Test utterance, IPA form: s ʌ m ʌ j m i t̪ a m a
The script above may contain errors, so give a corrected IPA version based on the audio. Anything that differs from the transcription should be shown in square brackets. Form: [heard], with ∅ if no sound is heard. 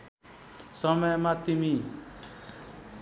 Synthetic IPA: s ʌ m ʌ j m [a] t̪ [i] m [i]

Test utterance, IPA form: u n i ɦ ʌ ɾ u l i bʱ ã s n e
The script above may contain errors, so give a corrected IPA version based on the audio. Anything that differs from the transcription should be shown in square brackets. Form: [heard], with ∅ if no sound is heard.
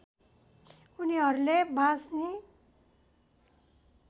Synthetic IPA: u n i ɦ ʌ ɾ u l [e] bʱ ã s n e

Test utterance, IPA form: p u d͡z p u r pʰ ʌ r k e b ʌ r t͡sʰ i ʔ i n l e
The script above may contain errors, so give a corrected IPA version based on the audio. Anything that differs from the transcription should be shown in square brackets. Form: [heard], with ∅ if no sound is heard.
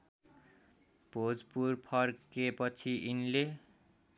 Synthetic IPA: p [o] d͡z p u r pʰ ʌ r k e [p] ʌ [∅] t͡sʰ i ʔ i n l e

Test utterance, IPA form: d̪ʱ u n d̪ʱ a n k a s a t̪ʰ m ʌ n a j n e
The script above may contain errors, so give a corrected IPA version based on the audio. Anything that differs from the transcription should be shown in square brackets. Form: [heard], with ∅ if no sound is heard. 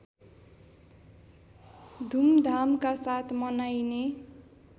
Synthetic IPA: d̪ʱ u [m] d̪ʱ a [m] k a s a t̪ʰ m ʌ n a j n e

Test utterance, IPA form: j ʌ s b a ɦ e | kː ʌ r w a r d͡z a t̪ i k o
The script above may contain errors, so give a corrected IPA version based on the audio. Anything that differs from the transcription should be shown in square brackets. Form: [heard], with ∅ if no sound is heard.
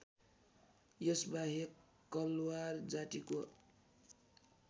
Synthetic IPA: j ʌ s b a ɦ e | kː ʌ [l] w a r d͡z a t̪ i k o

